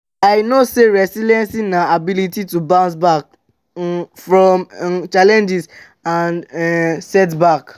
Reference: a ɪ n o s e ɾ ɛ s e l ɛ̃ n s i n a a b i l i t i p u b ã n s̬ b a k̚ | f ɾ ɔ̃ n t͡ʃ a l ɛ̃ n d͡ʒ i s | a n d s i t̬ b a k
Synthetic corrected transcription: a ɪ n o s e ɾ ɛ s i l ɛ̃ n s i n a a b i l i t i t u b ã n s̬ b a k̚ | f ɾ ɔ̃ m t͡ʃ a l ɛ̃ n d͡ʒ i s | a n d s ɛ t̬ b a k